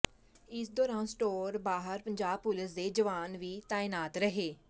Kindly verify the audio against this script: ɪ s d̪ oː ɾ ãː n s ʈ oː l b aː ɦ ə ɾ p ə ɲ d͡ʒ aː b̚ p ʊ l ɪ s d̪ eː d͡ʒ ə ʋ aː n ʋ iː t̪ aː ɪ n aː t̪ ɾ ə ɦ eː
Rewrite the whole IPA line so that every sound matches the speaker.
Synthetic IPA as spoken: ɪ s d̪ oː ɾ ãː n s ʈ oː ɾ b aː ɦ ə ɾ p ə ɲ d͡ʒ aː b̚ p ʊ l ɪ s d̪ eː d͡ʒ ə ʋ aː n ʋ iː t̪ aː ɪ n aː t̪ ɾ ə ɦ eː